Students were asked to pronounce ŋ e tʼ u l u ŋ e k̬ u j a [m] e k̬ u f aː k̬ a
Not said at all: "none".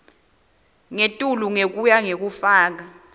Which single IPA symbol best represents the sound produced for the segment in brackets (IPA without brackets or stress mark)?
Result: ŋ